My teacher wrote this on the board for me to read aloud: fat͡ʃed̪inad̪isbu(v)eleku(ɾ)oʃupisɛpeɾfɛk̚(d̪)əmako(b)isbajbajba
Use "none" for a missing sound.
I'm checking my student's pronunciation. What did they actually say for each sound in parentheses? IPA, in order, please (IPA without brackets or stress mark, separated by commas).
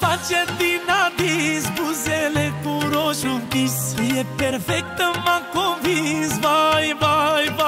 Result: z, ɾ, t̪, v